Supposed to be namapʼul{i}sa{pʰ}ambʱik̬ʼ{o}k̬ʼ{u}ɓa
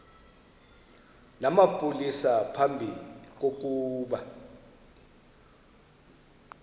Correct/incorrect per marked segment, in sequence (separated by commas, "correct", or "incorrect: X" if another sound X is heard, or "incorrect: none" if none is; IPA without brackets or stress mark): correct, correct, correct, incorrect: uː